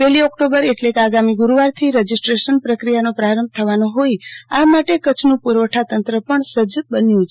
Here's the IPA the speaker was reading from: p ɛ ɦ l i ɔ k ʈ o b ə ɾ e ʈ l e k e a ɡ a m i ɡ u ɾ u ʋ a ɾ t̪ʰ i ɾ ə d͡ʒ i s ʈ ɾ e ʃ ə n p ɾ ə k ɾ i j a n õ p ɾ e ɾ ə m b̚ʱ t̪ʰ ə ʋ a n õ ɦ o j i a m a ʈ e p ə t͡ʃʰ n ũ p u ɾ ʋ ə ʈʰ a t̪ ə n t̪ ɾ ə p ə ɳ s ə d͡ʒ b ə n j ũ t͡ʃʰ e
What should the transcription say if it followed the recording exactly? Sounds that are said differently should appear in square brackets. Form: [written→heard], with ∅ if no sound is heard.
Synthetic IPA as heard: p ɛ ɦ l i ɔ k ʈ o b ə ɾ e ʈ l e k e a ɡ a m i ɡ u ɾ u ʋ a ɾ t̪ʰ i ɾ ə d͡ʒ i s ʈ ɾ e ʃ ə n p ɾ ə k ɾ i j a n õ p ɾ [e→a] ɾ ə m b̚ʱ t̪ʰ ə ʋ a n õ ɦ o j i a m a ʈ e [p→k] ə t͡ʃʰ n ũ p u ɾ ʋ ə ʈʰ a t̪ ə n t̪ ɾ ə p ə ɳ s ə d͡ʒ b ə n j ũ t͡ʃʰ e

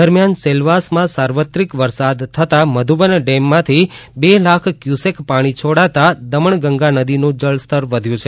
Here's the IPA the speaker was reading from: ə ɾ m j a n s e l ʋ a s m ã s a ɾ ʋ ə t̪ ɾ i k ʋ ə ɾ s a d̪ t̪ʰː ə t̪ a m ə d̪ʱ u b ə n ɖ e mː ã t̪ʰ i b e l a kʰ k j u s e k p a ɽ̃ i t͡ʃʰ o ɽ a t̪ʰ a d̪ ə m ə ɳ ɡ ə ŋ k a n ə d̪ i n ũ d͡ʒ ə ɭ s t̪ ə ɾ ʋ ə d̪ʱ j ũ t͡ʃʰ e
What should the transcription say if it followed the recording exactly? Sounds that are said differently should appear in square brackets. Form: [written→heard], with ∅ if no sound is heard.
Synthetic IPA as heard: ə ɾ m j a n s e l ʋ a s m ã s a ɾ ʋ ə t̪ ɾ i k ʋ ə ɾ s a d̪ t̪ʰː ə t̪ a m ə d̪ʱ u b ə n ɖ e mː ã t̪ʰ i b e l a kʰ k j u s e k p a ɽ̃ i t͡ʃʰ o ɽ a [t̪ʰ→t̪] a d̪ ə m ə ɳ ɡ ə ŋ [k→ɡ] a n ə d̪ i n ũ d͡ʒ ə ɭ s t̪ ə ɾ ʋ ə d̪ʱ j ũ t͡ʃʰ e

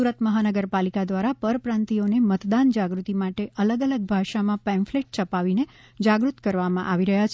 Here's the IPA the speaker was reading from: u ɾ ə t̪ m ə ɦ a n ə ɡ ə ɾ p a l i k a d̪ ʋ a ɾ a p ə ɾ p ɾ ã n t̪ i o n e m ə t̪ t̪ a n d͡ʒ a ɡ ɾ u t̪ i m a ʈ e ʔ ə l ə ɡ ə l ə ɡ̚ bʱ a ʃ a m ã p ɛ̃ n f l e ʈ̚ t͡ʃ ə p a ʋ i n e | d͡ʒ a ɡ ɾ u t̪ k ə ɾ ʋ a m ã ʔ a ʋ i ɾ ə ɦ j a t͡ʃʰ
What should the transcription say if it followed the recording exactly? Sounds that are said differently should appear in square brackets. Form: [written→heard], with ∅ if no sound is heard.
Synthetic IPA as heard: u ɾ ə t̪ m ə ɦ a n ə ɡ ə ɾ p a l i k a d̪ ʋ a ɾ a p ə ɾ p ɾ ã n t̪ i o n e m ə t̪ [t̪→d̪] a n d͡ʒ a ɡ ɾ u t̪ i m a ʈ e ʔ ə l ə ɡ ə l ə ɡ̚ bʱ a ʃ a m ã p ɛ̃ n f l e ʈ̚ t͡ʃ ə p a ʋ i n e | d͡ʒ a ɡ ɾ u t̪ k ə ɾ ʋ a m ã ʔ a ʋ i ɾ ə ɦ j a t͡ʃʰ

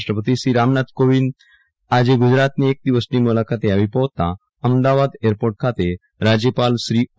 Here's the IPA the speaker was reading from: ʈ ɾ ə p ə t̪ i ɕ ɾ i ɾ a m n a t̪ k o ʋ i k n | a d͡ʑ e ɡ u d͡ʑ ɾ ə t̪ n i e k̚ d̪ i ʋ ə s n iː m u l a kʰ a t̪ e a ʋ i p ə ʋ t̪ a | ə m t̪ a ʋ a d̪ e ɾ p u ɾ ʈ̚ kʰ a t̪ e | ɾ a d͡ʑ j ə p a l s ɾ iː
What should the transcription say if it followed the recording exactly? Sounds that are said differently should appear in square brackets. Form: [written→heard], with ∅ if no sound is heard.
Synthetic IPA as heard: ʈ ɾ ə p ə t̪ i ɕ ɾ i ɾ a m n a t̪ k o ʋ i [k→∅] n | a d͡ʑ e ɡ u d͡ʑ ɾ [ə→a] t̪ n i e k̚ d̪ i ʋ ə s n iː m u l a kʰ a t̪ e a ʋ i p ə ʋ t̪ a | ə m [t̪→d̪] a ʋ a d̪ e ɾ p [u→o] ɾ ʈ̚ kʰ a t̪ e | ɾ a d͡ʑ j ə p a l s ɾ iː

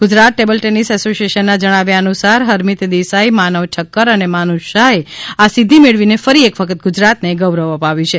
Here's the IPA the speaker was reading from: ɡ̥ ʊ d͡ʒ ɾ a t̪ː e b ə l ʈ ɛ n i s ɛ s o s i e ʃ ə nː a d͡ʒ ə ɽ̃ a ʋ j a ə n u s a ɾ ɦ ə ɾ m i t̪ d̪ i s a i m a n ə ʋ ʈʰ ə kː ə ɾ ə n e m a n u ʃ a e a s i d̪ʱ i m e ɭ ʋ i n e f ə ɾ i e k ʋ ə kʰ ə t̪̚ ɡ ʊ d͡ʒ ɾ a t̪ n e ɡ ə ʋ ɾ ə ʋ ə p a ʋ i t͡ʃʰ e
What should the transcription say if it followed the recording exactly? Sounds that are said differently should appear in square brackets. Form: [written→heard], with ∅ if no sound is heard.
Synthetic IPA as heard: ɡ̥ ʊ d͡ʒ ɾ a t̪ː e b ə l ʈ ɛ n i s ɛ s o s i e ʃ ə nː a d͡ʒ ə ɽ̃ a ʋ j a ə n u s a ɾ ɦ ə ɾ m i t̪ d̪ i s a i m a n ə ʋ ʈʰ ə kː ə ɾ ə n e m a n u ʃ a e a s i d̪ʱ i m e ɭ ʋ i n e f ə ɾ i e k ʋ ə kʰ ə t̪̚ ɡ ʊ d͡ʒ ɾ a t̪ n e ɡ ə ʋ ɾ ə ʋ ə p a ʋ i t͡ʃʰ e

